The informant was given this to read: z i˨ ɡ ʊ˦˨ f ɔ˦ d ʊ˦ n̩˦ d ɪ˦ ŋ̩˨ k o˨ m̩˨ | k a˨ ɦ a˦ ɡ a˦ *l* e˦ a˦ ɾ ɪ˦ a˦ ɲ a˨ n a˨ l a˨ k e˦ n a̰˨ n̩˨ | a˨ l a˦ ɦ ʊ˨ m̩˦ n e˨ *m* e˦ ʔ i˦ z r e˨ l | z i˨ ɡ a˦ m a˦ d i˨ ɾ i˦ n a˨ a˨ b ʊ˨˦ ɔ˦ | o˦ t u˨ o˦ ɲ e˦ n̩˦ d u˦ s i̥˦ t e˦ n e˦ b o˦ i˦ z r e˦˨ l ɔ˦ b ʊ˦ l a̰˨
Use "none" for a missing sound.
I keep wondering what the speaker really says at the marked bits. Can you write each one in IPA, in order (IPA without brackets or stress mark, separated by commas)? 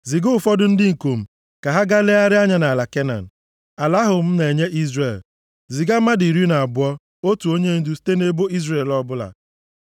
l, ɲ